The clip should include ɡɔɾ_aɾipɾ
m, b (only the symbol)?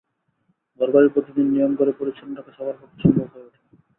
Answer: b